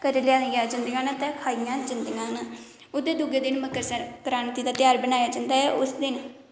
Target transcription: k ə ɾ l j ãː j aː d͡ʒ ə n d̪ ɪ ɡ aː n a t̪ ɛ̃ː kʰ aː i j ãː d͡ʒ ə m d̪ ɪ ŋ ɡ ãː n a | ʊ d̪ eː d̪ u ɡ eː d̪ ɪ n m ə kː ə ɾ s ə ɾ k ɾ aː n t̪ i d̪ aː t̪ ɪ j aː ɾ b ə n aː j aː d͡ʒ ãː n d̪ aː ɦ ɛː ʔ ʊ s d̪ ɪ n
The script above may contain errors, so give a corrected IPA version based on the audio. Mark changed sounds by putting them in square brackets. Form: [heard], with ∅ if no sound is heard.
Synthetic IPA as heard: k ə ɾ l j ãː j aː d͡ʒ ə n d̪ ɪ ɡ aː n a t̪ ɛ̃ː kʰ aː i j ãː d͡ʒ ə [n] d̪ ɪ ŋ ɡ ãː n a | ʊ d̪ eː d̪ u ɡ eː d̪ ɪ n m ə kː ə ɾ s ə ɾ k ɾ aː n t̪ i d̪ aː t̪ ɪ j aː ɾ b ə n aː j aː d͡ʒ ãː n d̪ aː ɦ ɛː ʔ ʊ s d̪ ɪ n

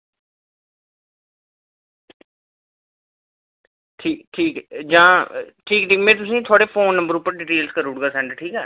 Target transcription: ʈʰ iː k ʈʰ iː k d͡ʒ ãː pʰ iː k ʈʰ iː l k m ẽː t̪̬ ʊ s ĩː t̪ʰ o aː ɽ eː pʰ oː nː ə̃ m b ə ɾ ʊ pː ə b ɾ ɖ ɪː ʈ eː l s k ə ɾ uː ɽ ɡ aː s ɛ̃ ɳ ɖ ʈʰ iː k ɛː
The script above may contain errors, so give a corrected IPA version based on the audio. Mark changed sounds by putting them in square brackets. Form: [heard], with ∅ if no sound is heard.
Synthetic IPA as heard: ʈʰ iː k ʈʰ iː k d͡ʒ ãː [ʈʰ] iː k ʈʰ iː [∅] k m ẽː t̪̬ ʊ s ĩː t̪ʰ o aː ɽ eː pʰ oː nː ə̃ m b ə ɾ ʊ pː ə [∅] ɾ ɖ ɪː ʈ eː l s k ə ɾ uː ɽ ɡ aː s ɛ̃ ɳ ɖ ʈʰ iː k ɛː

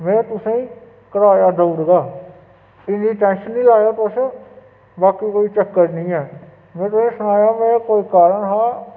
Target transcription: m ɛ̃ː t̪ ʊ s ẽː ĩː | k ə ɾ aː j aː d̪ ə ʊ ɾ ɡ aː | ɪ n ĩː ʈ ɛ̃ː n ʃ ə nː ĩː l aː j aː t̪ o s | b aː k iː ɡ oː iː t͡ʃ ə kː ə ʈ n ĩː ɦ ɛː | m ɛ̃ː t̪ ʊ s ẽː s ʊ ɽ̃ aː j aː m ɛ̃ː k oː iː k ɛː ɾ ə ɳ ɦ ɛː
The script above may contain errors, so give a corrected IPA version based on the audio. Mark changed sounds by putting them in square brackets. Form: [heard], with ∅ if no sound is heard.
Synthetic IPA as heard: m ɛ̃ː t̪ ʊ s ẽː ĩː | k ə ɾ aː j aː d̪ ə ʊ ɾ ɡ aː | ɪ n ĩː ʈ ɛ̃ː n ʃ ə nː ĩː l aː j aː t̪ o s | b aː k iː [k] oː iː t͡ʃ ə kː ə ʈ n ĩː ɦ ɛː | m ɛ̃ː t̪ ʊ s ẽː s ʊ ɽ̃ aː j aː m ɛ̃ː k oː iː k [aː] ɾ ə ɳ ɦ [aː]

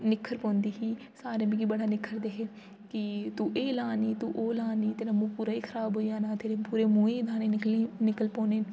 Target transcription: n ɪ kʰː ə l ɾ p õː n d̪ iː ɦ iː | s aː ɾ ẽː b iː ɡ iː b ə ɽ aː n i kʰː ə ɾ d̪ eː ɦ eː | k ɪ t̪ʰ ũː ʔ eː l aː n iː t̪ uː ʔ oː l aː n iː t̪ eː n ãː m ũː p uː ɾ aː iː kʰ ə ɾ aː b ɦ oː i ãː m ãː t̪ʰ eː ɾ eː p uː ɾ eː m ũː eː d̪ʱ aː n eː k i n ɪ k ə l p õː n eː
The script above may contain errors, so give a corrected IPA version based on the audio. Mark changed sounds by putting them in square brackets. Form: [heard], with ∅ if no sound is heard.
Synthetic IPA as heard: n ɪ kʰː ə [∅] ɾ p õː n d̪ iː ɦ iː | s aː ɾ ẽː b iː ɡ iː b ə ɽ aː n [ɪ] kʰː ə ɾ d̪ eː ɦ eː | k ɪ [t̪] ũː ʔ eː l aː n iː t̪ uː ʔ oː l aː n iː t̪ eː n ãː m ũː p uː ɾ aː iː kʰ ə ɾ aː b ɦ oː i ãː [n] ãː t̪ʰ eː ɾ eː p uː ɾ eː m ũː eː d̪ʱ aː n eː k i n ɪ k ə l p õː n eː

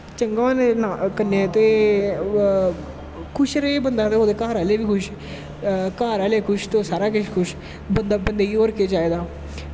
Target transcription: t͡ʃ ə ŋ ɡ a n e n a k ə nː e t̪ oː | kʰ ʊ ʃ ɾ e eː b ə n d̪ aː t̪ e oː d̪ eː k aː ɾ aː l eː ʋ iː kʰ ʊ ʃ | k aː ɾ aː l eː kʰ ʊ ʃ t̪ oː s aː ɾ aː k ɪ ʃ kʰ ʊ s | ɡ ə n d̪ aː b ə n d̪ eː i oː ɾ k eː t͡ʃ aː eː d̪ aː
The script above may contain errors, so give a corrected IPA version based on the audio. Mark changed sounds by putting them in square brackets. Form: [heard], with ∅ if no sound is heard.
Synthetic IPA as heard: t͡ʃ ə ŋ ɡ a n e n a k ə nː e t̪ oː | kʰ ʊ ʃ ɾ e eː b ə n d̪ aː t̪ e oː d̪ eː k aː ɾ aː l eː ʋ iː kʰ ʊ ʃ | k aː ɾ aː l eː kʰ ʊ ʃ t̪ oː s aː ɾ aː k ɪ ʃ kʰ ʊ [ʃ] | [b] ə n d̪ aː b ə n d̪ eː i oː ɾ k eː t͡ʃ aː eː d̪ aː

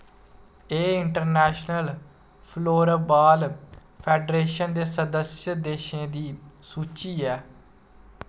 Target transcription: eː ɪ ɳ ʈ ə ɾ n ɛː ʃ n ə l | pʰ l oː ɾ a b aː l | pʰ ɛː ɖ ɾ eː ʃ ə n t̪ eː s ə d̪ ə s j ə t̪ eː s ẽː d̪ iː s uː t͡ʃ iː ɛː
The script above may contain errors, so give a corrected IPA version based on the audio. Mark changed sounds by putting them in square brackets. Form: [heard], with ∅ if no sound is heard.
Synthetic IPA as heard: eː ɪ ɳ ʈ ə ɾ n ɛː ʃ n ə l | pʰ l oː ɾ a b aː l | pʰ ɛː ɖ ɾ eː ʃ ə n [d̪] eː s ə d̪ ə s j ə [d̪] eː [ʃ] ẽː d̪ iː s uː t͡ʃ iː ɛː

